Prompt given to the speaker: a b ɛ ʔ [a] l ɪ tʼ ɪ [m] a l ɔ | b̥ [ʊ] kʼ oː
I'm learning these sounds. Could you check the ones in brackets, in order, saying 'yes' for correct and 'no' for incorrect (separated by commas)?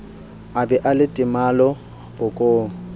yes, yes, yes